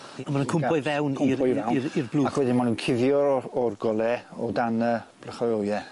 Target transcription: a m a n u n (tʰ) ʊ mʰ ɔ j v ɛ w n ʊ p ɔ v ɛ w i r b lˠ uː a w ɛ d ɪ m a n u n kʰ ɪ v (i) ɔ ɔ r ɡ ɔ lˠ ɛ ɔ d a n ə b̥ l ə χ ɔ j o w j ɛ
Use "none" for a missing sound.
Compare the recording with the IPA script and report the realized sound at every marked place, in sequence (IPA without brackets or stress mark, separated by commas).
kʰ, j